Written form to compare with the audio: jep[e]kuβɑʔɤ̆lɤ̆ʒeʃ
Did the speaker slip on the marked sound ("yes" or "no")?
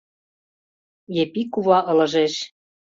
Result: yes